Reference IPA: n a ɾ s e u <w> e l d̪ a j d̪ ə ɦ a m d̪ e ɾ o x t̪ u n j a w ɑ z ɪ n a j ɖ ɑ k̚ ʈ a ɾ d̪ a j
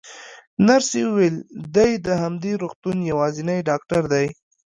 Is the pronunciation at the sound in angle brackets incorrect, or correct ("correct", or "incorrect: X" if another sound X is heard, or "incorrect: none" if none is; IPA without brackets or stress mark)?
correct